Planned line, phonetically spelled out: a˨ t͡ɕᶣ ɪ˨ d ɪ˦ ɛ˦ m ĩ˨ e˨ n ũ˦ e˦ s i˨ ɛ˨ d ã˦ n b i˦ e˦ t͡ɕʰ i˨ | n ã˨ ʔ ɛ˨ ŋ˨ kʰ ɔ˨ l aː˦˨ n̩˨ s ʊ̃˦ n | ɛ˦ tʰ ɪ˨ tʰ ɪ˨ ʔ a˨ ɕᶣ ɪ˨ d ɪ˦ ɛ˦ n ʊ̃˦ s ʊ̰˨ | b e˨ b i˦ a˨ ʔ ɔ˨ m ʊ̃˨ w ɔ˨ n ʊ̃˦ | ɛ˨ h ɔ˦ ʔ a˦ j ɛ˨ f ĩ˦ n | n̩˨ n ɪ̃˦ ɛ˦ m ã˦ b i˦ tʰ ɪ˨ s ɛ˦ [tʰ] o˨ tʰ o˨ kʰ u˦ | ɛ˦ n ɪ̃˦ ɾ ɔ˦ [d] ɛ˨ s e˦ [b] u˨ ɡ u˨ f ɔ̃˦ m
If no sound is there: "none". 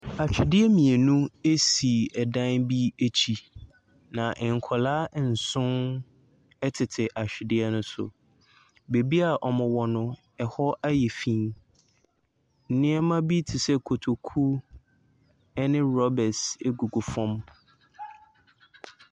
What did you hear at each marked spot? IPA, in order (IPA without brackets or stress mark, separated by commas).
kʰ, b, ɡ